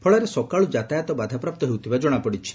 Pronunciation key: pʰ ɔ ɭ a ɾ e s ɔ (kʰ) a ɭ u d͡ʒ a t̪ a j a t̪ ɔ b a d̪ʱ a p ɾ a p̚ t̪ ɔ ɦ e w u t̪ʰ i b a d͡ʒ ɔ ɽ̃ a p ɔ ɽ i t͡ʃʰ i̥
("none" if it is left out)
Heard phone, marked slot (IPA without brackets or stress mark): k